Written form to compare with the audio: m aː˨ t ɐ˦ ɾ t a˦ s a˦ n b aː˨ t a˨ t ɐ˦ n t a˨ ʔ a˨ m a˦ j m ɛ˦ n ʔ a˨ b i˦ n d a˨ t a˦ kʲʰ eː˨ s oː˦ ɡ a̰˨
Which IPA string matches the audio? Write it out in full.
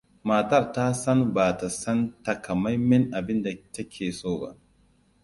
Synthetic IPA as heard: m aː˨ t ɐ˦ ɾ t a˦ s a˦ n b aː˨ t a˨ s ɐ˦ n t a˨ k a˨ m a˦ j m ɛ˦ n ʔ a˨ b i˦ n d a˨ t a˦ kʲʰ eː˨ s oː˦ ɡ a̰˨